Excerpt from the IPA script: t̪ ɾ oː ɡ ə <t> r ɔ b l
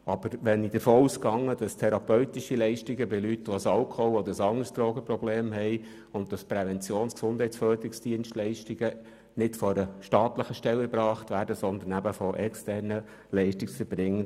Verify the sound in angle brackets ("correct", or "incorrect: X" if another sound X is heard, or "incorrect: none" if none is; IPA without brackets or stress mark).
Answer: incorrect: p